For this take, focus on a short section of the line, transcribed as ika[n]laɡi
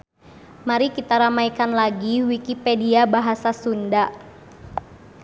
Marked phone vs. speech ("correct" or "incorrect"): correct